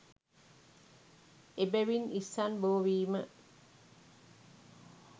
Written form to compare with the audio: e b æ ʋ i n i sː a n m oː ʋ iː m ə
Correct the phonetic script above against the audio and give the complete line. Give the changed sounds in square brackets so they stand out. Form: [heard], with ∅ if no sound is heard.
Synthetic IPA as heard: e b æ ʋ i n i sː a n [b] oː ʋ iː m ə